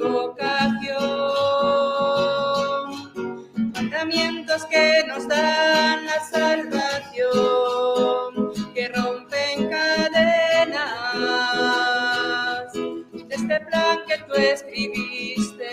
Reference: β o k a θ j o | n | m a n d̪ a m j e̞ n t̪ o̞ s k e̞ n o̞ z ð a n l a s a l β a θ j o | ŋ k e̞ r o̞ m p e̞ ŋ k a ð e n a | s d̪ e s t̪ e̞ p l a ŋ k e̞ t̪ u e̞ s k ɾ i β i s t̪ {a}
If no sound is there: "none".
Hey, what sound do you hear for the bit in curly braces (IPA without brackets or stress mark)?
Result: e